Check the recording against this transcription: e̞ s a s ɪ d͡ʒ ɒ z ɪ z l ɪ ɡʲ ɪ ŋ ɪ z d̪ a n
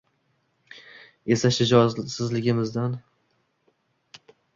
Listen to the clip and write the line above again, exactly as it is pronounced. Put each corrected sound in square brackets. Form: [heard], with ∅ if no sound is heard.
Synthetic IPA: e̞ s a [ʃ] ɪ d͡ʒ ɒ [s] ɪ z l ɪ ɡʲ ɪ [m] ɪ z d̪ a n

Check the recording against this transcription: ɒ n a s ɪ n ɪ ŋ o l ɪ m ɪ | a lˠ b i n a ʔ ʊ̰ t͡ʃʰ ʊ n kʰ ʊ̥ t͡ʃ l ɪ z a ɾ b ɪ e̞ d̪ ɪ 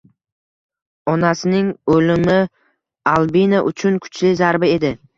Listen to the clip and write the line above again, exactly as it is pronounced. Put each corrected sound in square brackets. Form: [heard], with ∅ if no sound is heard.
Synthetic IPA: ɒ n a s ɪ n ɪ ŋ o l ɪ m ɪ | a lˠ b i n a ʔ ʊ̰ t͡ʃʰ ʊ n kʰ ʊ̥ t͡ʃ l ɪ z a ɾ b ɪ e̞ d̪ ɪ

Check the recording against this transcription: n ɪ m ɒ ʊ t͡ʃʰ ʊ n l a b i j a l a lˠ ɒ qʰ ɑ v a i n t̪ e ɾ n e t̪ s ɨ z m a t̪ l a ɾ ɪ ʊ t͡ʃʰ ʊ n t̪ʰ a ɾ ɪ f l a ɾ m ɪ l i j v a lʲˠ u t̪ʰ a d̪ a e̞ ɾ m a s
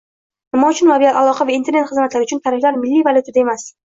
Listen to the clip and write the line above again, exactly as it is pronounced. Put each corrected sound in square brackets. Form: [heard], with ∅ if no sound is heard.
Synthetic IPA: n ɪ m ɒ ʊ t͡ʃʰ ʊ n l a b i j a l a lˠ ɒ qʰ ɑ v a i n t̪ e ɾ n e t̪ [χ] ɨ z m a t̪ l a ɾ ɪ ʊ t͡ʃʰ ʊ n t̪ʰ a ɾ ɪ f l a ɾ m ɪ [lː] i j v a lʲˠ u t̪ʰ a d̪ a e̞ [∅] m a s

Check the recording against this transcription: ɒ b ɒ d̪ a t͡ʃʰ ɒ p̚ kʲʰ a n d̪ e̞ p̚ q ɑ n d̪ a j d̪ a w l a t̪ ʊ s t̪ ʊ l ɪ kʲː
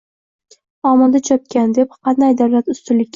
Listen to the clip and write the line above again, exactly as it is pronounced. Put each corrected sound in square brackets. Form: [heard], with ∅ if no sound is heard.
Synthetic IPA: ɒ [m] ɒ d̪ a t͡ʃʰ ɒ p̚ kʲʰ a n d̪ e̞ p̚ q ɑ n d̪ a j d̪ a w l a t̪ ʊ s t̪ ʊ l ɪ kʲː

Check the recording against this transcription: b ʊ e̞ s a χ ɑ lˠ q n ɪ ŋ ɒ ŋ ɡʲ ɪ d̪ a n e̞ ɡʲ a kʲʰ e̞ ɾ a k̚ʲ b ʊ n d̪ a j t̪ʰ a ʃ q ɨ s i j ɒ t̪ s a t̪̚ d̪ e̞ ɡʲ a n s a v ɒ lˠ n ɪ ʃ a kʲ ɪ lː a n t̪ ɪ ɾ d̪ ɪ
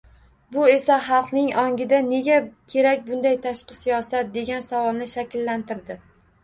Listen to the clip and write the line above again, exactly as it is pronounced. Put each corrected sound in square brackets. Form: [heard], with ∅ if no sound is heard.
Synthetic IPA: b ʊ e̞ s a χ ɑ lˠ q n ɪ ŋ ɒ ŋ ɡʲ ɪ d̪ a n e̞ ɡʲ a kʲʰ e̞ ɾ a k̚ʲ b ʊ n d̪ a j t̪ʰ a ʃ q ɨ s i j ɒ [∅] s a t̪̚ d̪ e̞ ɡʲ a n s a v ɒ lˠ n ɪ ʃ a kʲ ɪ lː a n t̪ ɪ ɾ d̪ ɪ

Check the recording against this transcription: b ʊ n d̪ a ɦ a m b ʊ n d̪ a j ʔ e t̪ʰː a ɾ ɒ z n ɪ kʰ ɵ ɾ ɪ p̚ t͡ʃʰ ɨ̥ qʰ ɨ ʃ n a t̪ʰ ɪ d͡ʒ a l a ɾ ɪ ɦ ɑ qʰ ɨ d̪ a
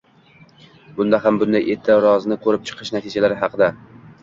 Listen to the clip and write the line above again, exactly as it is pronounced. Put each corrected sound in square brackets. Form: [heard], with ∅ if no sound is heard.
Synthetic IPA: b ʊ n d̪ a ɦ a m b ʊ n d̪ a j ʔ e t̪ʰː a ɾ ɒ z n ɪ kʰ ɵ ɾ ɪ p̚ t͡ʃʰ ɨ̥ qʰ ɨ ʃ n a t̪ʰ ɪ d͡ʒ a l a ɾ ɪ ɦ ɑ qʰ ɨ d̪ a

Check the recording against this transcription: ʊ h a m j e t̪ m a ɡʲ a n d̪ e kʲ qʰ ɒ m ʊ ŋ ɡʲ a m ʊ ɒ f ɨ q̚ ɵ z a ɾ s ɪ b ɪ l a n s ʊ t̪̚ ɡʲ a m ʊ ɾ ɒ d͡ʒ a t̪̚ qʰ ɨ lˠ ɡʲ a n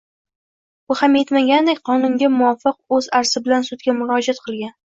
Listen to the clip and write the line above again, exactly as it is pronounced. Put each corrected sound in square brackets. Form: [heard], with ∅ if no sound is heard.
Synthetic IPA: ʊ h a m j e t̪ m a ɡʲ a n d̪ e kʲ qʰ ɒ [n] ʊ ŋ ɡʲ a m ʊ ɒ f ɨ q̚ ɵ z a ɾ s ɪ b ɪ l a n s ʊ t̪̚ ɡʲ a m ʊ ɾ ɒ d͡ʒ a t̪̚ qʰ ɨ lˠ ɡʲ a n

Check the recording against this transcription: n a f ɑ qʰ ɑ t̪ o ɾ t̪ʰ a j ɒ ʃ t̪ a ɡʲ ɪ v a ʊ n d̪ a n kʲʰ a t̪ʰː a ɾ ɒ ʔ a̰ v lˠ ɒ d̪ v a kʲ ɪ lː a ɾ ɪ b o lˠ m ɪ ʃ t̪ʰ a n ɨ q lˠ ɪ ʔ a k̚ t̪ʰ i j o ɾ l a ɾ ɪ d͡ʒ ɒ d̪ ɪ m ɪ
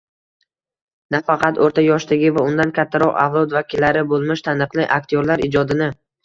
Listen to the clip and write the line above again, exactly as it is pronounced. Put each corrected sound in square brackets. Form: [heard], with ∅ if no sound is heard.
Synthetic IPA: n a f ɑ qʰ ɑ t̪ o ɾ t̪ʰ a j ɒ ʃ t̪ a ɡʲ ɪ v a ʊ n d̪ a n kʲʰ a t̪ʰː a ɾ ɒ [q] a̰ v lˠ ɒ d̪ v a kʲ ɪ lː a ɾ ɪ b o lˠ m ɪ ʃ t̪ʰ a n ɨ q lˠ ɪ ʔ a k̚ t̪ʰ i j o ɾ l a ɾ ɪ d͡ʒ ɒ d̪ ɪ [n] ɪ

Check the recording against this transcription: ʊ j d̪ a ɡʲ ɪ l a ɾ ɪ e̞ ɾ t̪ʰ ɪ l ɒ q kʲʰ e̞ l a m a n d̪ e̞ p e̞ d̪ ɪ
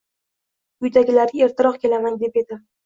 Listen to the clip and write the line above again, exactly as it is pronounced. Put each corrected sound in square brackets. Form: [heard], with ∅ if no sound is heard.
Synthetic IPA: ʊ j d̪ a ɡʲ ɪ l a ɾ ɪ e̞ ɾ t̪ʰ ɪ [ɾ] ɒ q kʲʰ e̞ l a m a n d̪ e̞ p e̞ d̪ ɪ

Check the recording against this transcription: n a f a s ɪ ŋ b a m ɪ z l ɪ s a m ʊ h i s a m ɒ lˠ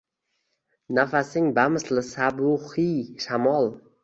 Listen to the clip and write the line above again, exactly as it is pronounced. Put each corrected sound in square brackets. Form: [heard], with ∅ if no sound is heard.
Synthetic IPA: n a f a s ɪ ŋ b a m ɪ [s] l ɪ s a [b] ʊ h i [ʃ] a m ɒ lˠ

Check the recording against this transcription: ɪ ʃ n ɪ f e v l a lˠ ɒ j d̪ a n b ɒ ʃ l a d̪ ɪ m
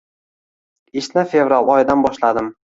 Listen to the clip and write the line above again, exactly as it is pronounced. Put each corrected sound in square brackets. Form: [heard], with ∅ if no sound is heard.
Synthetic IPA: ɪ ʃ n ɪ f e v [ɾ] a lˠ ɒ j d̪ a n b ɒ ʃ l a d̪ ɪ m

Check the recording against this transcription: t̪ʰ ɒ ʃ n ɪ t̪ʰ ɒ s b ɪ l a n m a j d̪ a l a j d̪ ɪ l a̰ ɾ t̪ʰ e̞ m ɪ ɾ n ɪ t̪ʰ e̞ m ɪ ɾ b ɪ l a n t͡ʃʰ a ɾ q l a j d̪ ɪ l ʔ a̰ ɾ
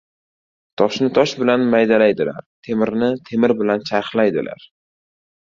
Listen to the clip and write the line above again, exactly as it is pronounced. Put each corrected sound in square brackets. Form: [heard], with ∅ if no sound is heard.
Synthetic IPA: t̪ʰ ɒ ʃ n ɪ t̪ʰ ɒ [ʃ] b ɪ l a n m a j d̪ a l a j d̪ ɪ l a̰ ɾ t̪ʰ e̞ m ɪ ɾ n ɪ t̪ʰ e̞ m ɪ ɾ b ɪ l a n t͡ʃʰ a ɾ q l a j d̪ ɪ l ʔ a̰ ɾ

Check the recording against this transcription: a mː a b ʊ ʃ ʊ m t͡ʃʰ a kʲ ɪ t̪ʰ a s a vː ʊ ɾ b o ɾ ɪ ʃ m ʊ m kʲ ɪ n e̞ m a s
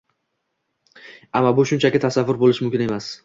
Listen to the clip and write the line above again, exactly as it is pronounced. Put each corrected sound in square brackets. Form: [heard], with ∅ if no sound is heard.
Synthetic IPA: a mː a b ʊ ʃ ʊ [n] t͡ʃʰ a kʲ ɪ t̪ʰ a s a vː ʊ ɾ b o [l] ɪ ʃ m ʊ m kʲ ɪ n e̞ m a s

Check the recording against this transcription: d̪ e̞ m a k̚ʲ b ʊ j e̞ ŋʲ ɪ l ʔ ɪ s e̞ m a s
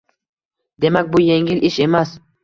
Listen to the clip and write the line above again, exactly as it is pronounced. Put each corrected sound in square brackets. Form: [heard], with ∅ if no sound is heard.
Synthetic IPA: d̪ e̞ m a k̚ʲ b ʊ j e̞ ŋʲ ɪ l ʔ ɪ [ʃ] e̞ m a s

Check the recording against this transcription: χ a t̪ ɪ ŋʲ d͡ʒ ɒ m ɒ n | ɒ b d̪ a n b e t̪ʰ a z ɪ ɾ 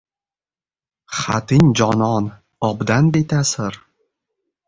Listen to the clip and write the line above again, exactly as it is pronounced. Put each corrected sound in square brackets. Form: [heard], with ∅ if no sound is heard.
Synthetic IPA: χ a t̪ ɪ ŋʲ d͡ʒ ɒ [n] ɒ n | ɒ b d̪ a n b e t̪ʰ a [s] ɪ ɾ

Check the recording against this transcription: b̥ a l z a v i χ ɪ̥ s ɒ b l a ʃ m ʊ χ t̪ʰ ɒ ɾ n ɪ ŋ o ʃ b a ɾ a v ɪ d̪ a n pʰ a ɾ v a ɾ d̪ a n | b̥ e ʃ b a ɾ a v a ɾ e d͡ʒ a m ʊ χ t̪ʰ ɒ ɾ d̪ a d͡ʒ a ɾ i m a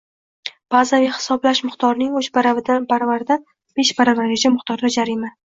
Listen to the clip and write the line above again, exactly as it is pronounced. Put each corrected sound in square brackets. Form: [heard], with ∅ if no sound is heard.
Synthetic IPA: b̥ a [∅] z a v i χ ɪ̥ s ɒ b l a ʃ m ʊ χ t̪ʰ ɒ ɾ n ɪ ŋ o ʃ b a ɾ a v ɪ d̪ a n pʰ a ɾ v a ɾ d̪ a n | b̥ e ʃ b a ɾ a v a ɾ e d͡ʒ a m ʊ χ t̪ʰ ɒ ɾ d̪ a d͡ʒ a ɾ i m a

